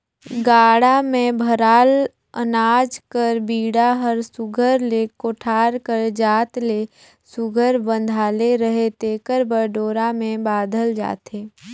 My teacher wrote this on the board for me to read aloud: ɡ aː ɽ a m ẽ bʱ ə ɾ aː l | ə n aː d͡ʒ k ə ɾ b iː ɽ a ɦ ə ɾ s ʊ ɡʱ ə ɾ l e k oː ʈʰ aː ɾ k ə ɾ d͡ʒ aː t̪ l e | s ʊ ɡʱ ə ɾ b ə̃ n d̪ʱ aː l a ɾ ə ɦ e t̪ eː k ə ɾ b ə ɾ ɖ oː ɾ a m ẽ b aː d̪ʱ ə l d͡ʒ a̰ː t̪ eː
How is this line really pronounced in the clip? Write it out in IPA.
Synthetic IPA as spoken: ɡ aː ɽ a m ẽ bʱ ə ɾ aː l | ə n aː d͡ʒ k ə ɾ b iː ɽ a ɦ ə ɾ s ʊ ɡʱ ə ɾ l e k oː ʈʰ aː ɾ k ə ɾ d͡ʒ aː t̪ l e | s ʊ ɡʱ ə ɾ b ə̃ n d̪ʱ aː l e ɾ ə ɦ e t̪ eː k ə ɾ b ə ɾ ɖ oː ɾ a m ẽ b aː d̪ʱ ə l d͡ʒ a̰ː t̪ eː